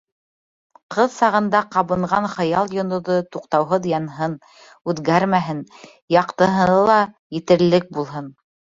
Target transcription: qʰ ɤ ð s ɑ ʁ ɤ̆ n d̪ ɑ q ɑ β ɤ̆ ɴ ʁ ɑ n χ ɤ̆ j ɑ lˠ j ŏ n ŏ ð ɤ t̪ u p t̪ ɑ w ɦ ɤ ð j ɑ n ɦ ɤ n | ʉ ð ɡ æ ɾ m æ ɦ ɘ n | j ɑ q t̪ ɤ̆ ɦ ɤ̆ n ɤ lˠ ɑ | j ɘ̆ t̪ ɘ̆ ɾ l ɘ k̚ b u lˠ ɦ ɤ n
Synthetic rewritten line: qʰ ɤ ð s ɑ ʁ ɤ̆ n d̪ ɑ q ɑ β ɤ̆ ɴ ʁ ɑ n χ ɤ̆ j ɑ lˠ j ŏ n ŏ ð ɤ t̪ u q t̪ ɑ w ɦ ɤ ð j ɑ n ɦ ɤ n | ʉ ð ɡ æ ɾ m æ ɦ ɘ n | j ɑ q t̪ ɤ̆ ɦ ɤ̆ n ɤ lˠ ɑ | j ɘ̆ t̪ ɘ̆ ɾ l ɘ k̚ b u lˠ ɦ ɤ n